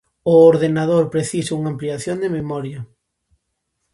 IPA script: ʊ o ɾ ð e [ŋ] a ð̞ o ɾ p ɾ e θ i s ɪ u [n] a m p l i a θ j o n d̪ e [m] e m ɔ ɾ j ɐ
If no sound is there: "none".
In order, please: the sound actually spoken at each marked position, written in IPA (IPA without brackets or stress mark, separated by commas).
n, ŋ, m